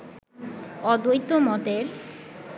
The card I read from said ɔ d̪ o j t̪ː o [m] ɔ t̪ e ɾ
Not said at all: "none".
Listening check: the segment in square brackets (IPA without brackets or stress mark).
m